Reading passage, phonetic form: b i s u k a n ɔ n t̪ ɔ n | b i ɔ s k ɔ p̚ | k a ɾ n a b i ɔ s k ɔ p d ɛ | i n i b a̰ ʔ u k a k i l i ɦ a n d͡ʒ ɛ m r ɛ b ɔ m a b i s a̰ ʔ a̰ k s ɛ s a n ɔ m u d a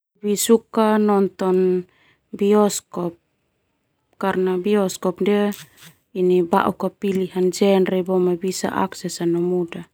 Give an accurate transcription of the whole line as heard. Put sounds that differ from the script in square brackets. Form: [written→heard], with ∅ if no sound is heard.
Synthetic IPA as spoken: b i s u k a n ɔ n t̪ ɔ n | b i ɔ s k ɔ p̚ | k a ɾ n a b i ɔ s k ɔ p d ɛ | i n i b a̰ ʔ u k a [k→p] i l i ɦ a n d͡ʒ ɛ [m→n] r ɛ b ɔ m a b i s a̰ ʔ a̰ k s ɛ s a n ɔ m u d a